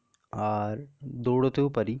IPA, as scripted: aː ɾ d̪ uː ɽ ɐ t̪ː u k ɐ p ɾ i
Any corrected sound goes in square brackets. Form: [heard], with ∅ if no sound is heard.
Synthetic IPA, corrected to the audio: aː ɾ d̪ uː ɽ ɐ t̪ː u [p] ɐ [∅] ɾ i

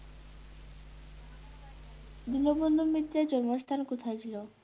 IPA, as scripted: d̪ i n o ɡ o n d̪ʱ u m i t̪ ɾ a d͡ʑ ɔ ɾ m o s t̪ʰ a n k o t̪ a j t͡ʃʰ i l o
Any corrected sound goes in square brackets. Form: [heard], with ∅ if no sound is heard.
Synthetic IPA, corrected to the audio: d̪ i n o [b] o n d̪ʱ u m i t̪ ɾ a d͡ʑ ɔ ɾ m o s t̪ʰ a n k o [t̪ʰ] a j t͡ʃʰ i l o

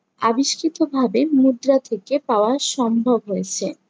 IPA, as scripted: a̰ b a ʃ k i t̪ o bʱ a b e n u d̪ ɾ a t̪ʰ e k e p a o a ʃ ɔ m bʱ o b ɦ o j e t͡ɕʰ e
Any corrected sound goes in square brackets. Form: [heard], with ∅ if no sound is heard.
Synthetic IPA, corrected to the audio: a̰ b [i] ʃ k i t̪ o bʱ a b e [m] u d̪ ɾ a t̪ʰ e k e p a o a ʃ ɔ m bʱ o b ɦ o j e t͡ɕʰ e

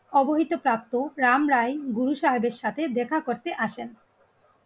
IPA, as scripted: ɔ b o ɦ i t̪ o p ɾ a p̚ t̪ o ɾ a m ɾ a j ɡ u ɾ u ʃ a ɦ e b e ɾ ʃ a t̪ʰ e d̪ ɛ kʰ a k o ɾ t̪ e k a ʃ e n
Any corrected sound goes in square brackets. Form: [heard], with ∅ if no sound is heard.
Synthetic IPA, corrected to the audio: ɔ b o ɦ i t̪ o p ɾ a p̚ t̪ o ɾ a m ɾ a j ɡ u ɾ u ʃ a ɦ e b e ɾ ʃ a t̪ʰ e d̪ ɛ kʰ a k o ɾ t̪ e [ʔ] a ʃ e n

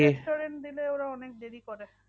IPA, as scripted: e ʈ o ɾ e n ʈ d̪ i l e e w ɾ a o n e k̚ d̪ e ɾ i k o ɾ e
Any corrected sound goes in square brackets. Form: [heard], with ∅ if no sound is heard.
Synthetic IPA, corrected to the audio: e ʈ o ɾ e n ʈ d̪ i l e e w ɾ a [ɔ] n e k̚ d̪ e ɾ i k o ɾ e

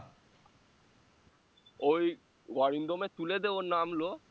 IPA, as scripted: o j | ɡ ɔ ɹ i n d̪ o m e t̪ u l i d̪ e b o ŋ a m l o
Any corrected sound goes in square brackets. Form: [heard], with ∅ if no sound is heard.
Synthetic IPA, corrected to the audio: o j | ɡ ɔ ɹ i n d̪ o m e t̪ u l [e] d̪ e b o [n] a m l o

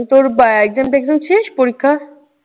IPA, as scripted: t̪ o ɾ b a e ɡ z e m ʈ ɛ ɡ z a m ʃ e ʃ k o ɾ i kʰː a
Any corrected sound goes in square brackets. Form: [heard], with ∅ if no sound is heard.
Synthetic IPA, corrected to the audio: t̪ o ɾ b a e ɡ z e m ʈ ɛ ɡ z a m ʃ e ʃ [p] o ɾ i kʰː a

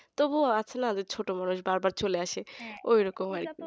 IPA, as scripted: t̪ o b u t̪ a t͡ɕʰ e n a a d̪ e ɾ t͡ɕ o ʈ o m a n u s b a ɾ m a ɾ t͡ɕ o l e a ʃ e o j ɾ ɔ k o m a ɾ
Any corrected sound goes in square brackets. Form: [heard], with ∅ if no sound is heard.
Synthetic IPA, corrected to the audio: t̪ o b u [∅] a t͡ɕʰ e n a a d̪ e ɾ [t͡ɕʰ] o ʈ o m a n u [ʃ] b a ɾ [b] a ɾ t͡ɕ o l e a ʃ e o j ɾ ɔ k o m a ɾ

